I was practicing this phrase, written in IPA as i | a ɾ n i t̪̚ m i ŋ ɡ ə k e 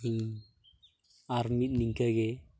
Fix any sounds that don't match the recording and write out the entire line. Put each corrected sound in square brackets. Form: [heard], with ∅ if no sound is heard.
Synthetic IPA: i | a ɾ [m] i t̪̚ [n] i ŋ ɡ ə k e